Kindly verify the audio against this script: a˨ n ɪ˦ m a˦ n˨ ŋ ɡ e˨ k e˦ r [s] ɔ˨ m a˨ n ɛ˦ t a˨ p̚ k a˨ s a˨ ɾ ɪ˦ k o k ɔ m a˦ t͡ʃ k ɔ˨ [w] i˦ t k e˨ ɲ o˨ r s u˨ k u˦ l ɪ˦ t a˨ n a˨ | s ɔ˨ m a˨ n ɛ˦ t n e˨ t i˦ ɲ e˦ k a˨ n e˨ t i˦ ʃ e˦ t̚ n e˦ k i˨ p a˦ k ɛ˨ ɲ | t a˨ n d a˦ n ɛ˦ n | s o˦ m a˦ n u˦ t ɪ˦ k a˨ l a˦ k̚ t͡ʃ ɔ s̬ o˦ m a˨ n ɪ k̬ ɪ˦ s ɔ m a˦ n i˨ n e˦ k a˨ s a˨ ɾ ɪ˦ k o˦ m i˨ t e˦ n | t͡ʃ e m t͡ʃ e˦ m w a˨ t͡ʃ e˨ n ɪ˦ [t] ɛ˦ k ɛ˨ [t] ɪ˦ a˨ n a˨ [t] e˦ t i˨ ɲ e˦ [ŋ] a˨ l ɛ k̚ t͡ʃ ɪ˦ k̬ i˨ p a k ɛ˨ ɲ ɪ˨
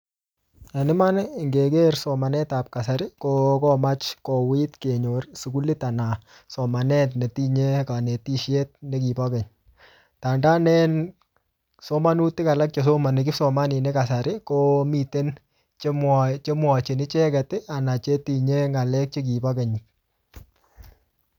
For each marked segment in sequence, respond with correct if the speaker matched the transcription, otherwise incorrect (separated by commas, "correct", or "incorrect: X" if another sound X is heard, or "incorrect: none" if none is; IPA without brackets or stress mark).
correct, correct, incorrect: t͡ʃ, correct, incorrect: t͡ʃ, correct